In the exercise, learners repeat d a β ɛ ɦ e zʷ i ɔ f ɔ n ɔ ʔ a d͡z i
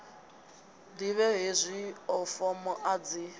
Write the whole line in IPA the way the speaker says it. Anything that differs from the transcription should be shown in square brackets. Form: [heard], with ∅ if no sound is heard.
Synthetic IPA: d [i] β ɛ ɦ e zʷ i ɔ f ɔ [m] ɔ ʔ a d͡z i